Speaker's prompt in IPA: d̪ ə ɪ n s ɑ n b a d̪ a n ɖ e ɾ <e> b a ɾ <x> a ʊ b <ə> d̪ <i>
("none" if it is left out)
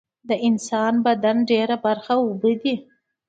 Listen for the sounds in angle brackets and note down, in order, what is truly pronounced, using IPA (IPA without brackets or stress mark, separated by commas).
a, x, ə, i